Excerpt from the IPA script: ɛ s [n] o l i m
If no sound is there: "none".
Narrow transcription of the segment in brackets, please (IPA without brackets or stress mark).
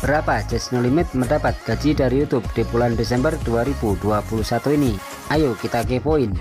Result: n